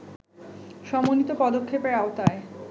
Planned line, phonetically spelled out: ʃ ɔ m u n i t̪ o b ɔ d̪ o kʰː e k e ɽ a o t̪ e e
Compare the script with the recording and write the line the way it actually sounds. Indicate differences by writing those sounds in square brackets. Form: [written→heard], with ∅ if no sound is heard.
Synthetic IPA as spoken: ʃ ɔ m [u→o] n i t̪ o [b→p] ɔ d̪ o kʰː e [k→p] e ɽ a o t̪ [e→a] e